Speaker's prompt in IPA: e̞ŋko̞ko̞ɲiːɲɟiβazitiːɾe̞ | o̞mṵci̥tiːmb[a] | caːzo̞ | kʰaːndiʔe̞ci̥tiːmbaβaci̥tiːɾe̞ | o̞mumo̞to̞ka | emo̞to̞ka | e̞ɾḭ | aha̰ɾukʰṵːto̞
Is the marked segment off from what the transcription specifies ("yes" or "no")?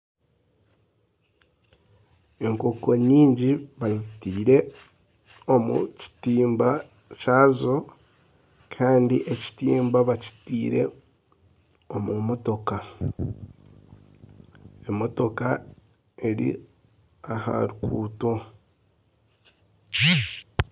no